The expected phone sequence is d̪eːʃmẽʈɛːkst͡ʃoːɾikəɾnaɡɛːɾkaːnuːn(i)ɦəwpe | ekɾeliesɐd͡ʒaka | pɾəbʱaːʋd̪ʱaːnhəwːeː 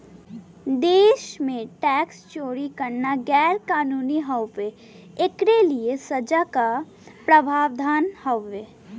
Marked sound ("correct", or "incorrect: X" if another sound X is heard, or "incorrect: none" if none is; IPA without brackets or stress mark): correct